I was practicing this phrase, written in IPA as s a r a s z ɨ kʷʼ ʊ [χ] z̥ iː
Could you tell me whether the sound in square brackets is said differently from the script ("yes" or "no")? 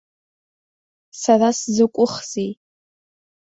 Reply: no